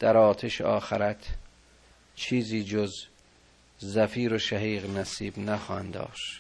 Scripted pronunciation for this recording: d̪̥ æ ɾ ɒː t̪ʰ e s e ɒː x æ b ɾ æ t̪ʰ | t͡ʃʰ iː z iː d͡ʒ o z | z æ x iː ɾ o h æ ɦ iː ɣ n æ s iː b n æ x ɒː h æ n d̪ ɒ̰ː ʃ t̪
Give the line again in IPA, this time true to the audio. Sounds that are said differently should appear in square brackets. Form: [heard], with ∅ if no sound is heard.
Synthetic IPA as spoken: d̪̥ æ ɾ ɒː t̪ʰ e [ʃ] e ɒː x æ [∅] ɾ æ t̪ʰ | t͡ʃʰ iː z iː d͡ʒ o z | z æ [f] iː ɾ o [ʃ] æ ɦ iː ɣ n æ s iː b n æ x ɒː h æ n d̪ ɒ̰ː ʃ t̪